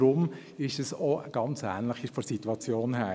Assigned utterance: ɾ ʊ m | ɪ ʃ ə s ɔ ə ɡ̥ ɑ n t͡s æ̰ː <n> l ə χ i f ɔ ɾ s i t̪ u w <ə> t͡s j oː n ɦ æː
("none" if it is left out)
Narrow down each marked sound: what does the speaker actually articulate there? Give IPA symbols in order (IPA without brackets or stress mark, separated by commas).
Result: n, ɑ